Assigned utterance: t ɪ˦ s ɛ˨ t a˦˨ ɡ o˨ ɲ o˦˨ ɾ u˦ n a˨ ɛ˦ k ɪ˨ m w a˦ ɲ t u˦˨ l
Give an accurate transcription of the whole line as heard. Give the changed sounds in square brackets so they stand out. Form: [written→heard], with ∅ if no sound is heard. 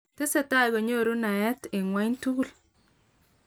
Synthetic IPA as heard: t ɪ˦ s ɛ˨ t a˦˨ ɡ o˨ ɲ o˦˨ ɾ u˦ n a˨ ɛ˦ [k→t] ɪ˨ [m→ŋ] w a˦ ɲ t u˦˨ l